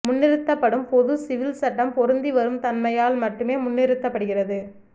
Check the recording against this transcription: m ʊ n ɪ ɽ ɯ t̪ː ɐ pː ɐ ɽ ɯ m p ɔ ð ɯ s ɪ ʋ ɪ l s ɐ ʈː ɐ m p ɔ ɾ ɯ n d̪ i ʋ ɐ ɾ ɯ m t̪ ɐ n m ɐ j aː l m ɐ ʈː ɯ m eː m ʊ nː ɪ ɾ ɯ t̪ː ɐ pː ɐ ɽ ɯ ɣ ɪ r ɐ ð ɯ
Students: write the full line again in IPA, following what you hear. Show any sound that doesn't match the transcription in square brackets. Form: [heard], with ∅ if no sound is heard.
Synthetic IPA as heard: m ʊ [nː] ɪ [ɾ] ɯ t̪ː ɐ pː ɐ ɽ ɯ m p ɔ ð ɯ s ɪ ʋ ɪ l s ɐ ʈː ɐ m p ɔ ɾ ɯ n d̪ i ʋ ɐ ɾ ɯ m t̪ ɐ n m ɐ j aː l m ɐ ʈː ɯ m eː m ʊ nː ɪ ɾ ɯ t̪ː ɐ pː ɐ ɽ ɯ ɣ ɪ r ɐ ð ɯ